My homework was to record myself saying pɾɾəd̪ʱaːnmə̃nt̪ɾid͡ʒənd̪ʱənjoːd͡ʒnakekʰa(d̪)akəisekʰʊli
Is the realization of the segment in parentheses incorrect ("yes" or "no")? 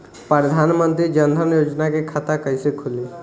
yes